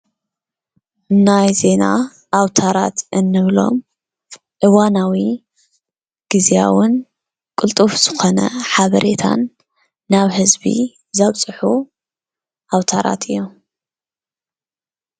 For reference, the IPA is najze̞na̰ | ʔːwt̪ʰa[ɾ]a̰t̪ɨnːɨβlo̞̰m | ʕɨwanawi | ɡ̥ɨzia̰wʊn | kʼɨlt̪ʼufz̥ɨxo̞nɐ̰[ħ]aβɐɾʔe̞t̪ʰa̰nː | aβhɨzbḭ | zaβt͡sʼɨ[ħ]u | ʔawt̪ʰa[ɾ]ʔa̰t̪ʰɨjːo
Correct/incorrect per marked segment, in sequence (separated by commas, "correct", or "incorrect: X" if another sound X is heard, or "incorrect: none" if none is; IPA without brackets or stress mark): correct, correct, correct, correct